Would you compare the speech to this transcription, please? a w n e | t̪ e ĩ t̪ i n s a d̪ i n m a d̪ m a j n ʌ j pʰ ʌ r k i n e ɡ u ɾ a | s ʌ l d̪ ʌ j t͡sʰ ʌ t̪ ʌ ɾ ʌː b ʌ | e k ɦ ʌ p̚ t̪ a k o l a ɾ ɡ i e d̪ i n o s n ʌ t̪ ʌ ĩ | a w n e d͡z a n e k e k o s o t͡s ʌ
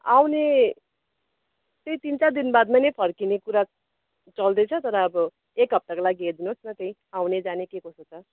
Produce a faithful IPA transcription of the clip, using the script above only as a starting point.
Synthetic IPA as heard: a w n e | t̪ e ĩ t̪ i n t͡s a d̪ i n b a d̪ m a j n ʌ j pʰ ʌ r k i n e k u ɾ a | t͡s ʌ l d̪ ʌ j t͡sʰ ʌ t̪ ʌ ɾ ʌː b ʌ | e k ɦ ʌ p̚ t̪ a k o l a ɡ i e d̪ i n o s n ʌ t̪ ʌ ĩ | a w n e d͡z a n e k e k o s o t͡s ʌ

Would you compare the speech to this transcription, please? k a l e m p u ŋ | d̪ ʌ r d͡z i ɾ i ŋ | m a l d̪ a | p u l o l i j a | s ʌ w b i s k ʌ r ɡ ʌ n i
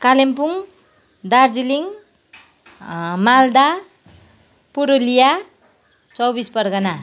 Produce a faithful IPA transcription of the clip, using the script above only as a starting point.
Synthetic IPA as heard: k a l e m p u ŋ | d̪ a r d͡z i l i ŋ | m a l d̪ a | p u ɾ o l i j a | t͡s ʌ w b i s p ʌ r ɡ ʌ n a

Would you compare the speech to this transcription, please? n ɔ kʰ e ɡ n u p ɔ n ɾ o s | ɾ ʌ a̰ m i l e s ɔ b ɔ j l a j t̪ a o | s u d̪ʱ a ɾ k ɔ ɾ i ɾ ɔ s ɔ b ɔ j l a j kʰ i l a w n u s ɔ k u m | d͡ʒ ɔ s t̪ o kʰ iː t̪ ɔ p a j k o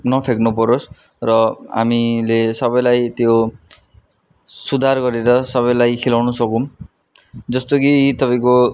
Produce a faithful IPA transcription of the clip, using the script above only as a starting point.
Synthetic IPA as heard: n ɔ pʰ e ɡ n u p ɔ ɾ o s | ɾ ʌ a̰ m i l e s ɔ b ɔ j l a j t̪ e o | s u d̪ʱ a ɾ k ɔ ɾ i ɾ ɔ s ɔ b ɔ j l a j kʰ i l a w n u s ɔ k u m | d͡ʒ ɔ s t̪ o k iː t̪ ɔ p a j k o

